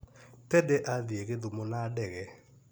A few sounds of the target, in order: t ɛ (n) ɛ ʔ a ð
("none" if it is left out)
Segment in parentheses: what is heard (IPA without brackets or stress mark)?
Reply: d